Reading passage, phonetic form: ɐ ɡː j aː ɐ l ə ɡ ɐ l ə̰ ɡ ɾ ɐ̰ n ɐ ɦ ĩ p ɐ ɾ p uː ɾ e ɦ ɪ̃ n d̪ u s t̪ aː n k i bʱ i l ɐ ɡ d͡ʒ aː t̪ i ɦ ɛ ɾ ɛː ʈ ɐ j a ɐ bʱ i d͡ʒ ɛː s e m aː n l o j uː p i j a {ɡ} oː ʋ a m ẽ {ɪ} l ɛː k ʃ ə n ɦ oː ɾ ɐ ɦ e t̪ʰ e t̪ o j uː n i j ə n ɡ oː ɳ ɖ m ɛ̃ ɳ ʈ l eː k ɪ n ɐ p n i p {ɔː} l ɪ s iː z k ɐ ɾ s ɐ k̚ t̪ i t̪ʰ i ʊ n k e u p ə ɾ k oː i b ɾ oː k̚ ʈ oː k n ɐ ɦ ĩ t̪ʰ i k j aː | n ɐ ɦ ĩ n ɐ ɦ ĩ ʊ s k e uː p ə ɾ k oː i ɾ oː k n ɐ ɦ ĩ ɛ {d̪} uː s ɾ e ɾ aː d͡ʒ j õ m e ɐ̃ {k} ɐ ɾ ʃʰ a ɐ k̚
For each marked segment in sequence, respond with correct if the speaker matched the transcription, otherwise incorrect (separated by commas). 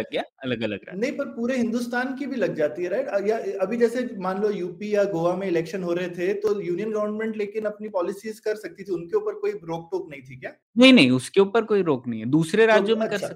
correct, correct, correct, correct, correct